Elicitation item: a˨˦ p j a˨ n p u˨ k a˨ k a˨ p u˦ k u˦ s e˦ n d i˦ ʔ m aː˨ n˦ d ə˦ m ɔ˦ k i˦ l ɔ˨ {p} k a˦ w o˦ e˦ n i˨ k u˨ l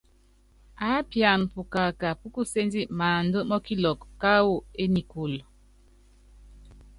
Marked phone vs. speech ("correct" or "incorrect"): incorrect